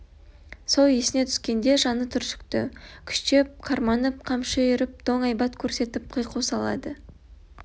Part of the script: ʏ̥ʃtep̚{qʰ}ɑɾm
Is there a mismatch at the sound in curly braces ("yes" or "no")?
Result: no